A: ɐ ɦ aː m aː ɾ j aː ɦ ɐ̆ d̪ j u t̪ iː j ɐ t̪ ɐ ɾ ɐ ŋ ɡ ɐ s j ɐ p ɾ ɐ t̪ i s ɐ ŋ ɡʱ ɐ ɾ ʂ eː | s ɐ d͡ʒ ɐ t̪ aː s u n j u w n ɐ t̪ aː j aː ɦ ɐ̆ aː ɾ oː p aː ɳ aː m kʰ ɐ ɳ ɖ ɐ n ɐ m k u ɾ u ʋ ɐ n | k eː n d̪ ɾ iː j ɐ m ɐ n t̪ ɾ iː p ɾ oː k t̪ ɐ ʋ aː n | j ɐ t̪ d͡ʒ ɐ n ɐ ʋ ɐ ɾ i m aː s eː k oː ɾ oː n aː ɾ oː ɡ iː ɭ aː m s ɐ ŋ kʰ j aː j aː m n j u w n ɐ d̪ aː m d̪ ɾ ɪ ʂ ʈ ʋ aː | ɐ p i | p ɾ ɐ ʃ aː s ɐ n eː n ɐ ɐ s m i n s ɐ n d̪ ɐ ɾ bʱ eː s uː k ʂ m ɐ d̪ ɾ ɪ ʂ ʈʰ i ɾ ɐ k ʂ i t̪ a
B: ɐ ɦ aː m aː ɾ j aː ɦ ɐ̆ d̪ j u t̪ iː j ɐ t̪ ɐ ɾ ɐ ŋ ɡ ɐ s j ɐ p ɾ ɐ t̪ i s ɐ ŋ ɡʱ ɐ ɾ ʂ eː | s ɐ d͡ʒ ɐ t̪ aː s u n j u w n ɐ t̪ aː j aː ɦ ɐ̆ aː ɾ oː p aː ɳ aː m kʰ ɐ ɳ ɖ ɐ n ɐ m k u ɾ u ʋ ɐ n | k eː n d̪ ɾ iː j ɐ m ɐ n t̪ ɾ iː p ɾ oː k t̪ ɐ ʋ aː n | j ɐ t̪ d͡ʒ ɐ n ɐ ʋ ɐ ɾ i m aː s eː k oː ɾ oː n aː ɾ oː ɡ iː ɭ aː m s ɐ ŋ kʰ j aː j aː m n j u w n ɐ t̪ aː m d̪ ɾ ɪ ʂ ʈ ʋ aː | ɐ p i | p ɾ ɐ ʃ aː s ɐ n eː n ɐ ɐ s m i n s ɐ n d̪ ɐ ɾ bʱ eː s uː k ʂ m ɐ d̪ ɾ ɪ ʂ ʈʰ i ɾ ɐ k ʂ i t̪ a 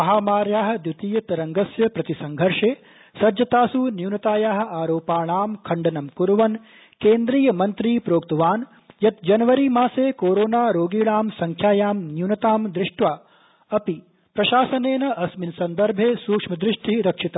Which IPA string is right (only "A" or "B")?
B